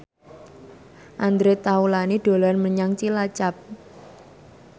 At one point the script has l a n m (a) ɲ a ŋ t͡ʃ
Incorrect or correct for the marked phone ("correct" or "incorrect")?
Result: incorrect